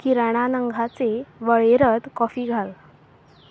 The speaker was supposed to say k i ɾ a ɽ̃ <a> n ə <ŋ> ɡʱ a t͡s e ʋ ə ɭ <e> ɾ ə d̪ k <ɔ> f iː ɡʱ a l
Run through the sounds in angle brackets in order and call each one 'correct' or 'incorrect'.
correct, correct, correct, correct

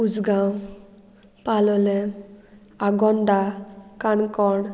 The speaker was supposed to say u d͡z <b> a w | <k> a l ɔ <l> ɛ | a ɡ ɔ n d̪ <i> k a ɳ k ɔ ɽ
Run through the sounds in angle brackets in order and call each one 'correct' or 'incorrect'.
incorrect, incorrect, correct, incorrect

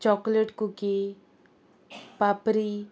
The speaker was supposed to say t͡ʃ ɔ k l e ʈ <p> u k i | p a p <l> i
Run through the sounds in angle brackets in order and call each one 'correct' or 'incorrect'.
incorrect, incorrect

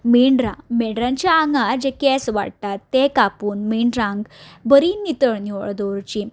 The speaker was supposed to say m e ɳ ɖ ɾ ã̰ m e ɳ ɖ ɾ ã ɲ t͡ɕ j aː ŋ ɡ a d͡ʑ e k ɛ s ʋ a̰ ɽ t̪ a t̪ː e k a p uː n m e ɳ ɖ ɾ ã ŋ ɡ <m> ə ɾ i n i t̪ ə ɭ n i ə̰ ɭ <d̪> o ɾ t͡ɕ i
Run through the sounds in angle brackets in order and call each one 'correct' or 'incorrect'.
incorrect, correct

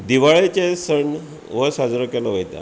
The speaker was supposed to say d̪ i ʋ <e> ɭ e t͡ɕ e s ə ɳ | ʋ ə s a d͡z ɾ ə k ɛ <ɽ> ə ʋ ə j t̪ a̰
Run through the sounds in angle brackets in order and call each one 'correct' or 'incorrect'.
incorrect, incorrect

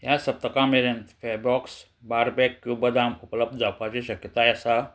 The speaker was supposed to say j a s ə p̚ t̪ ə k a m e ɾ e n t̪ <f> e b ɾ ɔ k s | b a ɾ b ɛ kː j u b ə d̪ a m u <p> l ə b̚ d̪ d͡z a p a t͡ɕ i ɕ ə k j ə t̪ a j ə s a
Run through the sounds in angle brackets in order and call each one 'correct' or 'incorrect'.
correct, correct

